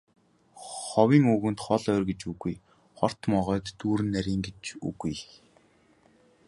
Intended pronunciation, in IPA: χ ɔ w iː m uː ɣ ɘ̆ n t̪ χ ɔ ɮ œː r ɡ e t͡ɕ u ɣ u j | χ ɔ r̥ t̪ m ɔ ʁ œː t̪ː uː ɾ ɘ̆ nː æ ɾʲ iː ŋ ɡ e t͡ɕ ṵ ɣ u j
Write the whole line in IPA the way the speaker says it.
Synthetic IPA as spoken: χ ɔ w iː ŋ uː ɣ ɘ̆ n t̪ χ ɔ ɮ œː r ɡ e t͡ɕ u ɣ u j | χ ɔ r̥ t̪ m ɔ ʁ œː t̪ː uː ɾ ɘ̆ nː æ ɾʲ iː ŋ ɡ e t͡ɕ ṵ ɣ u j